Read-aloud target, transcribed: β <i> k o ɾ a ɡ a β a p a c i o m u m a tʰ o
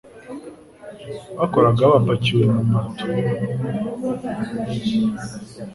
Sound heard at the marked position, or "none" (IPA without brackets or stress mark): a